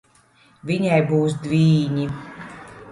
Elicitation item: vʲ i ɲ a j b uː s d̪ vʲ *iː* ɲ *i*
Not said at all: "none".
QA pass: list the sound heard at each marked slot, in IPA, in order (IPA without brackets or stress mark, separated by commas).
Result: iː, i